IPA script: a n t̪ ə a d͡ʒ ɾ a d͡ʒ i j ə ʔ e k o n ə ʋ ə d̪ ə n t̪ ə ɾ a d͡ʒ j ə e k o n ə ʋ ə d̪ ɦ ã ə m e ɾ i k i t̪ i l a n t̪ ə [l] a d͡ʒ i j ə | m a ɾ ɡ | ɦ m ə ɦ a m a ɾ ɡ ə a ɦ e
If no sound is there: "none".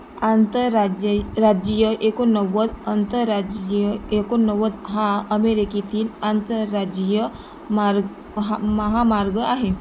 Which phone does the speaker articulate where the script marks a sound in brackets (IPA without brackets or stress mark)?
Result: ɾ